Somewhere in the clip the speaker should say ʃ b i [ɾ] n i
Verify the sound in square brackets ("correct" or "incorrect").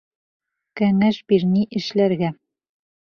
correct